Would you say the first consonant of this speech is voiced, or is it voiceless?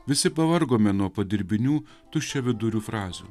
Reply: voiced